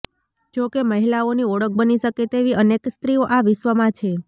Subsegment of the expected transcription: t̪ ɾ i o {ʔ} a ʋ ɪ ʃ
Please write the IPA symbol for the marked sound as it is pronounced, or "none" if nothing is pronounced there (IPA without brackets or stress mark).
ʔ